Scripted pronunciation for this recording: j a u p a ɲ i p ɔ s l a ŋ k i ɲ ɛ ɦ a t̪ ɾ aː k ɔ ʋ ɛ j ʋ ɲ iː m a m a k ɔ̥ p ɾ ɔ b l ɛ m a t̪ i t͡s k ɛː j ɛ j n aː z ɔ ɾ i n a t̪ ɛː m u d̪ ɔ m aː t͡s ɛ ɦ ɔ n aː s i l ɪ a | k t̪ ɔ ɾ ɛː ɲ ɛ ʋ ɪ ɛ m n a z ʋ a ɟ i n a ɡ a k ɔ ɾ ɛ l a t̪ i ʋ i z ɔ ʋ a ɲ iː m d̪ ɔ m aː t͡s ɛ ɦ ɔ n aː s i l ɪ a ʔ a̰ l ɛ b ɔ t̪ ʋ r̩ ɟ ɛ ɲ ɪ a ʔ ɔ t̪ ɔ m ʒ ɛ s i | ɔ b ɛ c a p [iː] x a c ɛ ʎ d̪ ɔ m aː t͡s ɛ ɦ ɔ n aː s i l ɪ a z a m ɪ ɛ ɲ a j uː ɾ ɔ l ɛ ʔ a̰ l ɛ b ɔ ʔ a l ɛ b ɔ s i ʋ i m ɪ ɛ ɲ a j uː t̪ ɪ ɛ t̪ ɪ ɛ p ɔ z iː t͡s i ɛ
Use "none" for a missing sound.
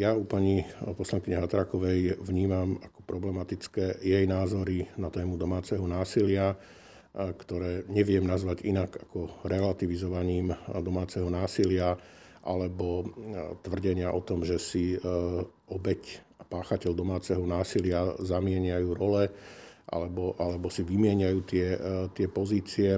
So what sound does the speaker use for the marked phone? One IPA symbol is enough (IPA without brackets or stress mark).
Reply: aː